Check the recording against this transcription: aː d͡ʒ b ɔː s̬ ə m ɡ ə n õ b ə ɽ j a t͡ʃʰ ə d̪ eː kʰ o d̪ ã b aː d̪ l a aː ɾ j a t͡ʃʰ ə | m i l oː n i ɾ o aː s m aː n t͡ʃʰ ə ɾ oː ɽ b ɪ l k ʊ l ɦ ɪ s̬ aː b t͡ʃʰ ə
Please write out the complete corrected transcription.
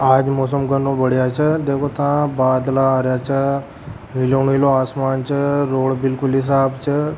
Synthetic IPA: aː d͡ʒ m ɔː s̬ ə m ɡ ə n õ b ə ɽ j a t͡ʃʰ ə d̪ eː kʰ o t̪ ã b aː d̪ l a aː ɾ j a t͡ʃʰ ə | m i l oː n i l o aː s m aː n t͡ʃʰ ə ɾ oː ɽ b ɪ l k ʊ l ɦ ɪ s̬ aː b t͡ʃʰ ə